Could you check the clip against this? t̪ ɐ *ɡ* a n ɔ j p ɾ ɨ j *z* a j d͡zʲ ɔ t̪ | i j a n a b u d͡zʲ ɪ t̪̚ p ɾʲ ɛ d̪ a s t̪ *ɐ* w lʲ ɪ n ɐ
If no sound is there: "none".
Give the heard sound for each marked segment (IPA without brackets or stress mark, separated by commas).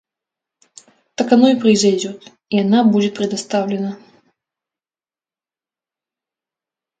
k, z, a